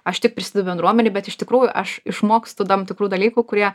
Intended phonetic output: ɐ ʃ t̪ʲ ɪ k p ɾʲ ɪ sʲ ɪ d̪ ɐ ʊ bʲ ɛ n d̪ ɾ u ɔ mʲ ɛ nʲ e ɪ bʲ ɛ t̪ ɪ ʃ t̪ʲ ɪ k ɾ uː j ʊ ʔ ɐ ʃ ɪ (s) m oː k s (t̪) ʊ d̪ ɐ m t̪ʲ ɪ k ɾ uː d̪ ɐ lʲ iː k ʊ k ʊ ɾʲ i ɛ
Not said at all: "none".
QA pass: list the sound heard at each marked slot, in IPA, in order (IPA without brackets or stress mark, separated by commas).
ʃ, t̪